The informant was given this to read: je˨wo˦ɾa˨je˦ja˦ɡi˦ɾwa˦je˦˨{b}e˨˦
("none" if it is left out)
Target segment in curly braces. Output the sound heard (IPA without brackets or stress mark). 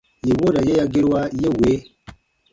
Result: w